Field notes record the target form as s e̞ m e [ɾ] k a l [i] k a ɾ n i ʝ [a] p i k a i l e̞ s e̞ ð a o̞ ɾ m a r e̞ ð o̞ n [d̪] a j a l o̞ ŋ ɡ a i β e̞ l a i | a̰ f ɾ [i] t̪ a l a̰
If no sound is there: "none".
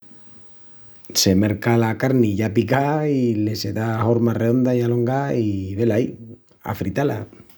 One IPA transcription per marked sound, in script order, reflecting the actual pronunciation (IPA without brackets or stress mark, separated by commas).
ɾ, a, a, d̪, i